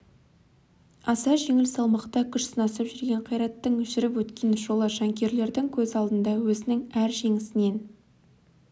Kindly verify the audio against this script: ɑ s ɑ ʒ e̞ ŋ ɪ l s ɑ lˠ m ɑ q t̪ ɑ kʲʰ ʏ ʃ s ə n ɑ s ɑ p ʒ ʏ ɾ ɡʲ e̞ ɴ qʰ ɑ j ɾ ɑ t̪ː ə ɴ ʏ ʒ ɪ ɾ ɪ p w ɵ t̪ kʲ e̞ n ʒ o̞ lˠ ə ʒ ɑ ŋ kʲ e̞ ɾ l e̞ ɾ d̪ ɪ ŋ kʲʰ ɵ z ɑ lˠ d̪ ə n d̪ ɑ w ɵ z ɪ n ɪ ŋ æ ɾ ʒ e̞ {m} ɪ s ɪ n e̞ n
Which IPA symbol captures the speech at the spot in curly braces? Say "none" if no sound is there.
ŋ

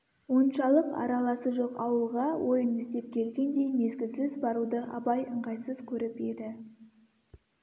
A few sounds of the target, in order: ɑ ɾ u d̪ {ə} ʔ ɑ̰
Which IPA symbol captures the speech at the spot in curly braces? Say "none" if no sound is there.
ə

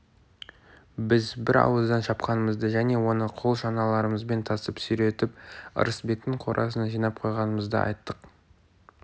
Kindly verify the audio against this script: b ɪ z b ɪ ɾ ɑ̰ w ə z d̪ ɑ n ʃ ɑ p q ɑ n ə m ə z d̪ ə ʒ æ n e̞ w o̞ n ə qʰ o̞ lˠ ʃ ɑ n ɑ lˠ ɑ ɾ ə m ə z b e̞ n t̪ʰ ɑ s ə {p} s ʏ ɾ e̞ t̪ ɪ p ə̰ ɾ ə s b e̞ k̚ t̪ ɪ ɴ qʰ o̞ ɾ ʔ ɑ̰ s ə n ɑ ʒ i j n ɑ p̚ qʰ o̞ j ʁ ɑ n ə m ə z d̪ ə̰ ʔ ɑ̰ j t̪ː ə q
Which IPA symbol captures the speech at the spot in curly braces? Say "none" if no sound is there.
p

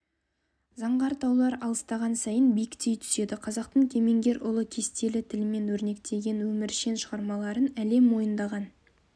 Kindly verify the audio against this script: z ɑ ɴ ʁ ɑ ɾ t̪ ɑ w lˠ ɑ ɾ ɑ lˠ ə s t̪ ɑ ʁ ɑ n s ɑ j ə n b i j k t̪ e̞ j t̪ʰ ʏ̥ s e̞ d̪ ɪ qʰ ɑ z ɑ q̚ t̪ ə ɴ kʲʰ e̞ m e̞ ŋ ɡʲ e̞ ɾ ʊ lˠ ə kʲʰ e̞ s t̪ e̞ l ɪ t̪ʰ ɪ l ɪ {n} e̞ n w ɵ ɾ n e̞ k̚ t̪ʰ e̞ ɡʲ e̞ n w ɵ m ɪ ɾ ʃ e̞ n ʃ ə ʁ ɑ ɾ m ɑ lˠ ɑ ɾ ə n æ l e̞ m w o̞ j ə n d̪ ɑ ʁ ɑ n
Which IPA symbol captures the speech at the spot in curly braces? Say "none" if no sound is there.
m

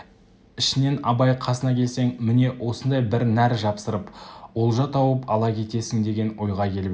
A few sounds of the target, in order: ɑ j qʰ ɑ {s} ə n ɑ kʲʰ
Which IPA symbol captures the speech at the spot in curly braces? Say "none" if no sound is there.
s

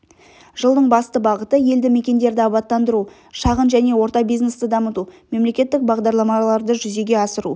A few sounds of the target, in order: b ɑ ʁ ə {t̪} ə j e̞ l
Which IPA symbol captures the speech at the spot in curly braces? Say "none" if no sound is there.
t̪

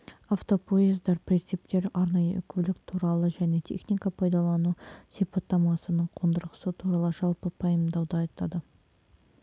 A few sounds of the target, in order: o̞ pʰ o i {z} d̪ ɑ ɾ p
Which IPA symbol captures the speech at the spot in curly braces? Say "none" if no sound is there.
z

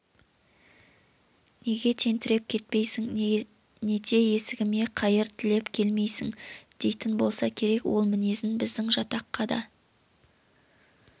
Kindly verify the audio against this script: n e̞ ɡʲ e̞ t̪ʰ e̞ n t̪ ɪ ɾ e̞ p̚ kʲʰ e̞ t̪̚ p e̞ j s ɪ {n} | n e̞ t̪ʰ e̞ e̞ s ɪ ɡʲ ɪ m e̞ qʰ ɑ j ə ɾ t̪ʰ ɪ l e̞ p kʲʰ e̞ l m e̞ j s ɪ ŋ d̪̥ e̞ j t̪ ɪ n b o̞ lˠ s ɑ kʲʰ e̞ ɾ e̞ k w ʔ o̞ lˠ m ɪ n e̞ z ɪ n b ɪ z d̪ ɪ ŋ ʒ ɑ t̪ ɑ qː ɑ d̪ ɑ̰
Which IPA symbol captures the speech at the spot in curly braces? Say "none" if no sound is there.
ŋ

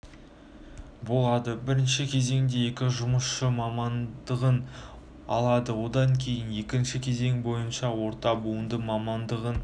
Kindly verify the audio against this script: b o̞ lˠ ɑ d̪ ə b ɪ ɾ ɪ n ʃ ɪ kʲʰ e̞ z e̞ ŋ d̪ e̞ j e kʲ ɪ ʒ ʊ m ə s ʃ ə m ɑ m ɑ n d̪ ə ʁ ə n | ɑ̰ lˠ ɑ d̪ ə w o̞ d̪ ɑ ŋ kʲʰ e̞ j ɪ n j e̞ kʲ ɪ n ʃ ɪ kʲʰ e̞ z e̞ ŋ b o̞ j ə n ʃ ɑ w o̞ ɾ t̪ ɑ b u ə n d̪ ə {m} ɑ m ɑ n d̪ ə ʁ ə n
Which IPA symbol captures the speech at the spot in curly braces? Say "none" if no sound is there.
m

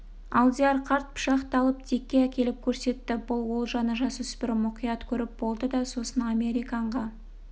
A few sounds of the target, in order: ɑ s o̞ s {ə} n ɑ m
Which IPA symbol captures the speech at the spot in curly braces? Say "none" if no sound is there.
ə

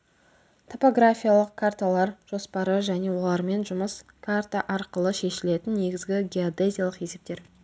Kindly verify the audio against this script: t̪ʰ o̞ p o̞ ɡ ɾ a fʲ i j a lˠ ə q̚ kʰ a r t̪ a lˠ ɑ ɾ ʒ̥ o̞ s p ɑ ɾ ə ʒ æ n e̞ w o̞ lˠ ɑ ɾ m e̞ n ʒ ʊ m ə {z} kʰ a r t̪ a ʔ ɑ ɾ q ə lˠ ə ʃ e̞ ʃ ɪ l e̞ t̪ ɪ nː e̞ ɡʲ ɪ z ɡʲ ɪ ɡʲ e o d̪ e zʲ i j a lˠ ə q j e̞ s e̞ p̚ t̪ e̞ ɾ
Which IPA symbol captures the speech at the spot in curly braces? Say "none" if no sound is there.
s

